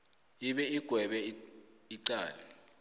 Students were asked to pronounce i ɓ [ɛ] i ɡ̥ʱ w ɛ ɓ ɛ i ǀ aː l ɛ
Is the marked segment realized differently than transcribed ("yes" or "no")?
no